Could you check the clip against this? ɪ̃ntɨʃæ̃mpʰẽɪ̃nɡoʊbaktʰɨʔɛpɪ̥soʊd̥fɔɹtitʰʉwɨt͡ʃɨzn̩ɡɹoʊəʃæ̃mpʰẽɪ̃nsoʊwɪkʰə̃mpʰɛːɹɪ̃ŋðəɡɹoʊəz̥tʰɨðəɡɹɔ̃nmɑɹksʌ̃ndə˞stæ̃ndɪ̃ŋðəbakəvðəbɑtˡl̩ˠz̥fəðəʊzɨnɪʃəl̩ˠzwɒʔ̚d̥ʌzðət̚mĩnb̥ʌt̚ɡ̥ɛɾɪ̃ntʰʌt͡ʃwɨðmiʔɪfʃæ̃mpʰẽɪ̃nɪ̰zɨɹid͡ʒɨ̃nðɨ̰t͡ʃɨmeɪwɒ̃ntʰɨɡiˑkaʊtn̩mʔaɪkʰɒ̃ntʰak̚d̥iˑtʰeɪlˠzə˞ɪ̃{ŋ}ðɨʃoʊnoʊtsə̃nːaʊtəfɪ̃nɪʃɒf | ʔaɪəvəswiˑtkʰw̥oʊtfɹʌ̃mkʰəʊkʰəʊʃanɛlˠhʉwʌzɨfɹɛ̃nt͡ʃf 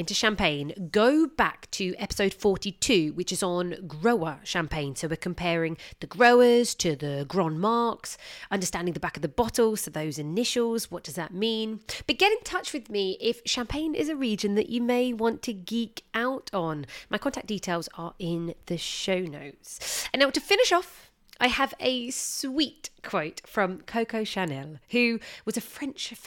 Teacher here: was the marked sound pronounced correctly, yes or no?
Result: no